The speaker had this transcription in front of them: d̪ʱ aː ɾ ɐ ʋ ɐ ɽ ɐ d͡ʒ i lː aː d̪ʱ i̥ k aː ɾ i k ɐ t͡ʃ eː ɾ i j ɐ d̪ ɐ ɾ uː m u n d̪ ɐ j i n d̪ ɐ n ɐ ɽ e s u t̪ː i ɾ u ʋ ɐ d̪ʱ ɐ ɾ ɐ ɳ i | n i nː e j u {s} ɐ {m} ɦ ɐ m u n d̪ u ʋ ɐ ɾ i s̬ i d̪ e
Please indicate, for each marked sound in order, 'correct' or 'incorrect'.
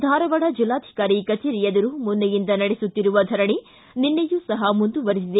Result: correct, incorrect: none

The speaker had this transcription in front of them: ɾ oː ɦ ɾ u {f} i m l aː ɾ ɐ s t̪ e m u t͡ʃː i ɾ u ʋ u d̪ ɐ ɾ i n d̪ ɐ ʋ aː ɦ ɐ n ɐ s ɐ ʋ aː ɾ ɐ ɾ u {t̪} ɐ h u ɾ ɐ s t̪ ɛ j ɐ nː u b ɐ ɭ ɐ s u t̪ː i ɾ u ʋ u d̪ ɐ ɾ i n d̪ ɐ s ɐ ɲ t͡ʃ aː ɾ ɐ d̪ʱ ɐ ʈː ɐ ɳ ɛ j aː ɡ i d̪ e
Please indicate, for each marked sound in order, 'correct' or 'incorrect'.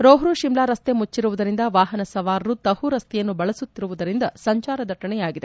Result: incorrect: ʃ, correct

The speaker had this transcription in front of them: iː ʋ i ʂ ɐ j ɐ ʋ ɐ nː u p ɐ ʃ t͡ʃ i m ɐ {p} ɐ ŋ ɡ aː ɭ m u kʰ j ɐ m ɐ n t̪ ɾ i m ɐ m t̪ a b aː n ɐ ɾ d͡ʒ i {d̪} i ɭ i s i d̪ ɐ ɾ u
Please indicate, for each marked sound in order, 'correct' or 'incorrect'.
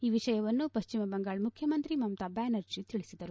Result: incorrect: b, incorrect: t̪

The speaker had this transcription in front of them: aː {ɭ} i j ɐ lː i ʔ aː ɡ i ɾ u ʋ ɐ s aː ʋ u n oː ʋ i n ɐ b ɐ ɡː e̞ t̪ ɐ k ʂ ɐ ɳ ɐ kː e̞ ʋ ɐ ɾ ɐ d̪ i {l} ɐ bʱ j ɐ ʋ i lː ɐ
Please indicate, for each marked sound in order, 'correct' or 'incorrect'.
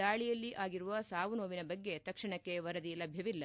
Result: correct, correct

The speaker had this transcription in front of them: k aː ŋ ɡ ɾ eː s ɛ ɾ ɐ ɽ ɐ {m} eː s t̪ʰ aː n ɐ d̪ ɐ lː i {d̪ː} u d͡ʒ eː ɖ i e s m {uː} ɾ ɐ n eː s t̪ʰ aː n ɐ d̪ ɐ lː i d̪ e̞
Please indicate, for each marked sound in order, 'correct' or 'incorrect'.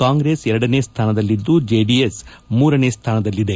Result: incorrect: n, correct, correct

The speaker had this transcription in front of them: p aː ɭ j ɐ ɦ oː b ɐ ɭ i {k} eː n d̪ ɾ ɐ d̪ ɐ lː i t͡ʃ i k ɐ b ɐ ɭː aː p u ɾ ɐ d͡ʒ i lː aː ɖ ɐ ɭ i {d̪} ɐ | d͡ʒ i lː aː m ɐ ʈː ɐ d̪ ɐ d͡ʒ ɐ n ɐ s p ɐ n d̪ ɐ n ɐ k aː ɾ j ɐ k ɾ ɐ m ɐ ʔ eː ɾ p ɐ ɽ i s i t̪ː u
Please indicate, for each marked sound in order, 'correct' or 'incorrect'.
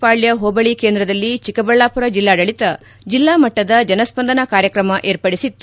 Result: correct, incorrect: t̪

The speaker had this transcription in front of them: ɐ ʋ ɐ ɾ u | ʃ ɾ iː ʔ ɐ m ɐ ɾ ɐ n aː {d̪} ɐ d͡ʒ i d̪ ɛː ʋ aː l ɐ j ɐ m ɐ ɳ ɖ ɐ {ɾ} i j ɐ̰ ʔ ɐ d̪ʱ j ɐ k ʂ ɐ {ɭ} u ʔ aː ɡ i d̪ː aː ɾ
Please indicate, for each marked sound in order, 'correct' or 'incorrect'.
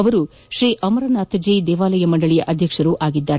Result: incorrect: t̪, incorrect: ɭ, incorrect: ɾ

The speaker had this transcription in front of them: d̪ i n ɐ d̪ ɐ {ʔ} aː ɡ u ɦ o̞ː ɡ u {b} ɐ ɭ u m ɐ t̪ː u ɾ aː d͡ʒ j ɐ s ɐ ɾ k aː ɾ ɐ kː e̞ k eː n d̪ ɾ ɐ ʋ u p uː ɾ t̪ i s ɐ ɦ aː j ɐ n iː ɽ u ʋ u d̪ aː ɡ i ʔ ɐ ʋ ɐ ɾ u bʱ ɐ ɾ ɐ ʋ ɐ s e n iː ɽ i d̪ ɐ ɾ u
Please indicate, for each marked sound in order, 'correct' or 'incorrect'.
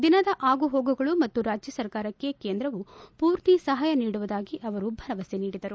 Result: correct, incorrect: ɡ

